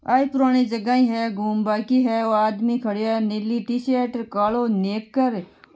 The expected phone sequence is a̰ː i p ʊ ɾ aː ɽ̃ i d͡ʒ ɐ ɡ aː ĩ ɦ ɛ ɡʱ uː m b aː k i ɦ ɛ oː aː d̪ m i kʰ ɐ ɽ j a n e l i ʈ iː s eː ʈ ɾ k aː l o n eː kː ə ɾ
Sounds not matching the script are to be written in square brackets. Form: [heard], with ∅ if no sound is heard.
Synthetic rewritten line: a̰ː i p ʊ ɾ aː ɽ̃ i d͡ʒ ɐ ɡ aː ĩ ɦ ɛ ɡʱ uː m b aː k i ɦ ɛ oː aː d̪ m i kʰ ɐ ɽ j a n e l i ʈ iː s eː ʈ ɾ k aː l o n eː kː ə ɾ